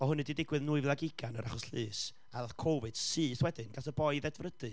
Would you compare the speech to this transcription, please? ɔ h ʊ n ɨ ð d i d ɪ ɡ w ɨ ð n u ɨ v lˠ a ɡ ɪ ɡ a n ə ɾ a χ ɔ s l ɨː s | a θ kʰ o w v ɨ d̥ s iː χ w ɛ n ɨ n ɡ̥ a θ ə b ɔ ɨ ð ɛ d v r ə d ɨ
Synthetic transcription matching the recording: ɔ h ʊ n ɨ d i d ɪ ɡ w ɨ ð n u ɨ v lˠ a ɡ ɪ ɡ a n ə ɾ a χ ɔ s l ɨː s | a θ kʰ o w v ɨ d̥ s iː θ w ɛ d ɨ n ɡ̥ a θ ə b ɔ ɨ ð ɛ d v r ə d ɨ